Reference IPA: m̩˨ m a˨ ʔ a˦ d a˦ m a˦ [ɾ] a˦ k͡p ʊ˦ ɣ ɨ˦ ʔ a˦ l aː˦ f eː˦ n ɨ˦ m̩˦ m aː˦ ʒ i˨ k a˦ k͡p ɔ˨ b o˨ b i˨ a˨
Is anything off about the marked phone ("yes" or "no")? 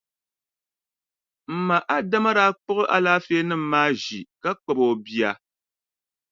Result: no